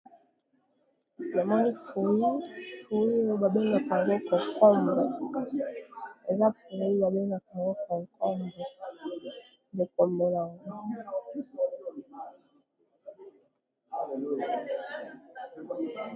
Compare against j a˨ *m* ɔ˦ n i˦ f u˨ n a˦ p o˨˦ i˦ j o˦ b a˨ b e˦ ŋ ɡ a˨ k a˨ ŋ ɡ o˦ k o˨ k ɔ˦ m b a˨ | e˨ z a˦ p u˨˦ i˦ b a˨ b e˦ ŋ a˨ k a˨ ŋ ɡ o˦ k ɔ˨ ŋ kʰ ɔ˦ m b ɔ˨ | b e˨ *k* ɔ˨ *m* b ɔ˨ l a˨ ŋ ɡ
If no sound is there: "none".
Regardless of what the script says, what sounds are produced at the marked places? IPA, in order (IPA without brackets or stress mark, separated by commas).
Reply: m, k, m